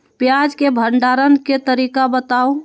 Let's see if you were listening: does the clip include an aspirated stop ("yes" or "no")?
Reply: no